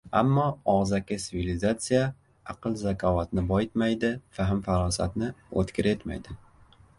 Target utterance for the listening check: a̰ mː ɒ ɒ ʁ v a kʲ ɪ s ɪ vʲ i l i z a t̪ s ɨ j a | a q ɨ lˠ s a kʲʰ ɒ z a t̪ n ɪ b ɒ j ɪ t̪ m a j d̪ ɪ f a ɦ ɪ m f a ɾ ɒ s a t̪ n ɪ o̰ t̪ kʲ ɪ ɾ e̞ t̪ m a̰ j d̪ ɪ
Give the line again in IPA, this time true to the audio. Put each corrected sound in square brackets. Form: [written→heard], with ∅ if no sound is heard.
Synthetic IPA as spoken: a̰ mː ɒ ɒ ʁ [v→z] a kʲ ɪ s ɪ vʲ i l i z a t̪ s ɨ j a | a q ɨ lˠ [s→z] a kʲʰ ɒ [z→v] a t̪ n ɪ b ɒ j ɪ t̪ m a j d̪ ɪ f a ɦ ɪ m f a ɾ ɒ s a t̪ n ɪ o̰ t̪ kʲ ɪ ɾ e̞ t̪ m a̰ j d̪ ɪ

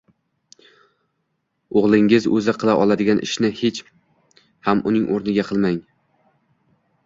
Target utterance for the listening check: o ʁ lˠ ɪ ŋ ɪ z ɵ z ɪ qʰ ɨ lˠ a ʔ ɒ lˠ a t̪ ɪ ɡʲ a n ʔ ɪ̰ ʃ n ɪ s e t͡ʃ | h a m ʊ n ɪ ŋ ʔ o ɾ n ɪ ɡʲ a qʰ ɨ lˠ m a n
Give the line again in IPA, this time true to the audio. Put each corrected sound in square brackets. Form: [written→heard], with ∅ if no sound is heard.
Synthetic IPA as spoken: o ʁ lˠ ɪ ŋ ɪ z ɵ z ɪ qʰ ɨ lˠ a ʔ ɒ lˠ a [t̪→d̪] ɪ ɡʲ a n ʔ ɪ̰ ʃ n ɪ [s→h] e t͡ʃ | h a m ʊ n ɪ ŋ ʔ o ɾ n ɪ ɡʲ a qʰ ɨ lˠ m a [n→ŋ]

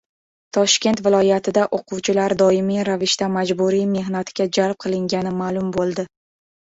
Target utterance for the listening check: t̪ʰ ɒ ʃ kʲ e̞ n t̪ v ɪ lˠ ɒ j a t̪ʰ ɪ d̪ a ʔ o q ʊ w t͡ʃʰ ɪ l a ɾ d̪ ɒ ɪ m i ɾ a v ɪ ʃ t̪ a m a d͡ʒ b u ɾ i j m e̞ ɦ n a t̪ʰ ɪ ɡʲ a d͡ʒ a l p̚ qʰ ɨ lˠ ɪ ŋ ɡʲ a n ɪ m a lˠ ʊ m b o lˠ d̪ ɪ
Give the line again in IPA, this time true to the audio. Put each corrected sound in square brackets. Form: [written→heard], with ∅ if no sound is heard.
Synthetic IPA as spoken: t̪ʰ ɒ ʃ kʲ e̞ n t̪ v ɪ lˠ ɒ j a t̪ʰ ɪ d̪ a ʔ o q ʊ w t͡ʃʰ ɪ l a ɾ d̪ ɒ ɪ m i ɾ a v ɪ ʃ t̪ a m a d͡ʒ b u ɾ i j m e̞ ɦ n a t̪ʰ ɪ ɡʲ a d͡ʒ a l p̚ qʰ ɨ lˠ ɪ ŋ ɡʲ a n ɪ m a lˠ ʊ m b o lˠ d̪ ɪ

